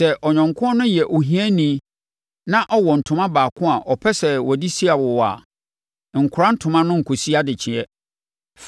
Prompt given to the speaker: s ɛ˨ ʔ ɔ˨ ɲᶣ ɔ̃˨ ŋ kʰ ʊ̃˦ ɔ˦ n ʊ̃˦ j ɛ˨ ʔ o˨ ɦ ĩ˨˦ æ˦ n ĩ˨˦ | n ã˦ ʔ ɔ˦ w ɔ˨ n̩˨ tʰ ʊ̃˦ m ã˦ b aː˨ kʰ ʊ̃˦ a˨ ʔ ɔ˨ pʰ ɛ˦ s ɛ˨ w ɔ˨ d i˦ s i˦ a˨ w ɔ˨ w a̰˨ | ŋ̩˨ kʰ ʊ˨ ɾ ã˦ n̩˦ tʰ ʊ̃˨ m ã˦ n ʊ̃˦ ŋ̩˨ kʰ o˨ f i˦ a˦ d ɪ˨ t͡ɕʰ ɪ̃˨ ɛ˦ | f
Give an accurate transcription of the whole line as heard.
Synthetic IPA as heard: s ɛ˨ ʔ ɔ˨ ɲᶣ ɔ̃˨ ŋ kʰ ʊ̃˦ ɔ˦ n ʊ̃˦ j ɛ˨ ʔ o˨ ɦ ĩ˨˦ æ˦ n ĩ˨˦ | n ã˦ ʔ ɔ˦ w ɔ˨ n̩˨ tʰ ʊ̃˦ m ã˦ b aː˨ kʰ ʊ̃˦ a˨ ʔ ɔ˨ pʰ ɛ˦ s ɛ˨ w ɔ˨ d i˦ s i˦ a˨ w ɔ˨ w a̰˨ | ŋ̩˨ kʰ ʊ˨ ɾ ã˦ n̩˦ tʰ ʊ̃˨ m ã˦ n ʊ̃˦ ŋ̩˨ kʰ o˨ s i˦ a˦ d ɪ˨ t͡ɕʰ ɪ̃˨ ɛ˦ | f